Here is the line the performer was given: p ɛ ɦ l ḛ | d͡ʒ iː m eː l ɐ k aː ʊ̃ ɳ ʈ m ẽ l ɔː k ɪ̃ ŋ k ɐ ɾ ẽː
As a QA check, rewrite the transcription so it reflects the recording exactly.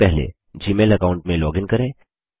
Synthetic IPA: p ɛ ɦ l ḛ | d͡ʒ iː m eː l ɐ k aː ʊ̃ ɳ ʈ m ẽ l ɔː ɡ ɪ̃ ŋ k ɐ ɾ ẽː